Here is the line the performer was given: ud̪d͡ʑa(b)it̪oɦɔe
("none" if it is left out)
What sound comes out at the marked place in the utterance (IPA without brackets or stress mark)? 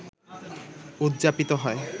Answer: p